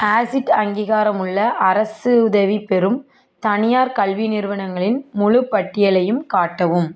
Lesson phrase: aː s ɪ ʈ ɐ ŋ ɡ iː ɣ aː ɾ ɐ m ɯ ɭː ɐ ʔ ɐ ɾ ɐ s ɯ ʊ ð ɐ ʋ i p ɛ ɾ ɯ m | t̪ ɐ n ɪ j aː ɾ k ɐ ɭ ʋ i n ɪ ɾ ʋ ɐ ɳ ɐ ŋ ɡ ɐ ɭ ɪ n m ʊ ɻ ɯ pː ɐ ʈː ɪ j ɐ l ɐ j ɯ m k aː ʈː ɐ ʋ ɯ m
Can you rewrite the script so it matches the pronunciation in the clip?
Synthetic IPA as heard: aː s ɪ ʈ ɐ ŋ ɡ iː ɣ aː ɾ ɐ m ɯ ɭː ɐ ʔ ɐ ɾ ɐ s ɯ ʊ ð ɐ ʋ i p ɛ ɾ ɯ m | t̪ ɐ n ɪ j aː ɾ k ɐ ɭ ʋ i n ɪ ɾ ʋ ɐ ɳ ɐ ŋ ɡ ɐ ɭ ɪ n m ʊ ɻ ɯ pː ɐ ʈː ɪ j ɐ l ɐ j ɯ m k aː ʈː ɐ ʋ ɯ m

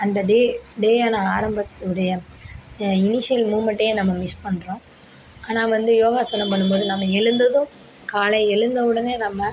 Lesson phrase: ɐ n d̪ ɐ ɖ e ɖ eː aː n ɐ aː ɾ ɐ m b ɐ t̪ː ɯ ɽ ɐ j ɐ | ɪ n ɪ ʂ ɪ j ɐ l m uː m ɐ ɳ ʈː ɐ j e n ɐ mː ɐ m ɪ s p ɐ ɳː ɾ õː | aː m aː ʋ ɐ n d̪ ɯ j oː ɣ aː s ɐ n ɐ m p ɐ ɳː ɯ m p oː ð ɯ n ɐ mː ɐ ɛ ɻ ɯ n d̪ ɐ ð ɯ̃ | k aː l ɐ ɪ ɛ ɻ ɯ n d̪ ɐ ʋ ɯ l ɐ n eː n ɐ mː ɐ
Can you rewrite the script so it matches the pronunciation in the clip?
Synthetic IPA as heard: ɐ n d̪ ɐ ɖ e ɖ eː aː n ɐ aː ɾ ɐ m b ɐ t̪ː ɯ ɽ ɐ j ɐ | ɪ n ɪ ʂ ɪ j ɐ l m uː m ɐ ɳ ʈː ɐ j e n ɐ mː ɐ m ɪ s p ɐ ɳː ɾ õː | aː n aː ʋ ɐ n d̪ ɯ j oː ɣ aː s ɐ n ɐ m p ɐ ɳː ɯ m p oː ð ɯ n ɐ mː ɐ ɛ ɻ ɯ n d̪ ɐ ð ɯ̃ | k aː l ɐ ɪ ɛ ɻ ɯ n d̪ ɐ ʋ ɯ ɽ ɐ n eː n ɐ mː ɐ

